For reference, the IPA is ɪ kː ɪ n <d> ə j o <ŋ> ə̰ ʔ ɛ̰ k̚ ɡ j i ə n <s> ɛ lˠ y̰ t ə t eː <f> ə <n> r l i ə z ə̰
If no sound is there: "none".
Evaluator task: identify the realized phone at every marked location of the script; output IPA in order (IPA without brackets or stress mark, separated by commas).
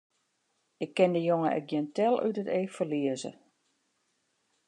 d, ŋ, t, f, none